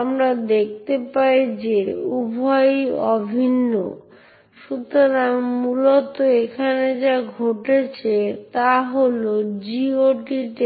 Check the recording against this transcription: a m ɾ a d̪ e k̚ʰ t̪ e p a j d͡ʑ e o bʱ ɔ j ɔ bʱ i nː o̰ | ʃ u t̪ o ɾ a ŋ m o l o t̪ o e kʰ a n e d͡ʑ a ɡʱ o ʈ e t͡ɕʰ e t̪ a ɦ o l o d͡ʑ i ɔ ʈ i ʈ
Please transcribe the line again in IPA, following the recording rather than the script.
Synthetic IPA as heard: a m ɾ a d̪ e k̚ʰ t̪ e p a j d͡ʑ e u bʱ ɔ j ɔ bʱ i nː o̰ | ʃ u t̪ o ɾ a ŋ m u l o t̪ o e kʰ a n e d͡ʑ a ɡʱ o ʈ e t͡ɕʰ e t̪ a ɦ o l o d͡ʑ i o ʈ i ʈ